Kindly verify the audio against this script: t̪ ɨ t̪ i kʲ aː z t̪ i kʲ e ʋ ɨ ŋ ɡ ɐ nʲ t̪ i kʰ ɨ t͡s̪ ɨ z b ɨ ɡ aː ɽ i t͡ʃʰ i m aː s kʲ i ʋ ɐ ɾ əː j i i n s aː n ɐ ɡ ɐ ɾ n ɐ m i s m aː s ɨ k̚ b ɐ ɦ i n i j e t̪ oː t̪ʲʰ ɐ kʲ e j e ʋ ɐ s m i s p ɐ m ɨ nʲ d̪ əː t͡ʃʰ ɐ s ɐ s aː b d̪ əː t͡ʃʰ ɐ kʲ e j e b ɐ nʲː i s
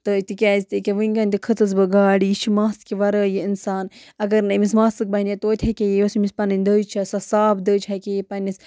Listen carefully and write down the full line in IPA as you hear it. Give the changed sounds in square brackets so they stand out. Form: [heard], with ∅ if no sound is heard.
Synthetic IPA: t̪ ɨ t̪ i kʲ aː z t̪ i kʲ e ʋ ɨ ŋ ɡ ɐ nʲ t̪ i kʰ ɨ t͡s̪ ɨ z b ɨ ɡ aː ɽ i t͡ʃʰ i m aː s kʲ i ʋ ɐ ɾ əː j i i n s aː n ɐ ɡ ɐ ɾ n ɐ m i s m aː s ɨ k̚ b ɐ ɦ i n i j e t̪ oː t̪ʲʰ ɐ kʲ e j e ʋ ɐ s m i s p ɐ [n] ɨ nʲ d̪ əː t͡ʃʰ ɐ s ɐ s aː b d̪ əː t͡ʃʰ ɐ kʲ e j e [p] ɐ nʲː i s